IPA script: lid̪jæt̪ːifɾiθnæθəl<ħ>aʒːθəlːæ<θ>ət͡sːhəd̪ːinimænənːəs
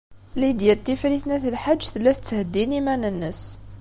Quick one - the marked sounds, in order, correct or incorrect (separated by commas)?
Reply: correct, correct